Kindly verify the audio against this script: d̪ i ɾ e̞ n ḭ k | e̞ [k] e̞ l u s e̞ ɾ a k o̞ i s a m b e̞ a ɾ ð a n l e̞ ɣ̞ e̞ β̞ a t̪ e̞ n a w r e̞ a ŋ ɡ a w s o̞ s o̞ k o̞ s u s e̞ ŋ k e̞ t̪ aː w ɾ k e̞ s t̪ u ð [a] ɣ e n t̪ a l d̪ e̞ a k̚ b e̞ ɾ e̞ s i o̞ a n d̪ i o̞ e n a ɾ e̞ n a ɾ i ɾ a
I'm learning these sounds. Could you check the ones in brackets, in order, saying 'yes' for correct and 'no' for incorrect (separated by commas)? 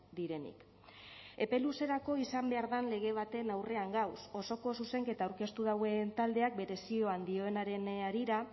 no, yes